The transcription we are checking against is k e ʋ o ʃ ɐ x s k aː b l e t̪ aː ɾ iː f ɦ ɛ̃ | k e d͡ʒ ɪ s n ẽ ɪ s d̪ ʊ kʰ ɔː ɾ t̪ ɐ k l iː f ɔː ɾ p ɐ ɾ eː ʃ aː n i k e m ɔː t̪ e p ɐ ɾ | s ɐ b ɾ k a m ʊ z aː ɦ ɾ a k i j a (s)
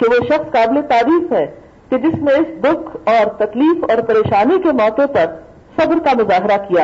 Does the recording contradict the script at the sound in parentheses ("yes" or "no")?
yes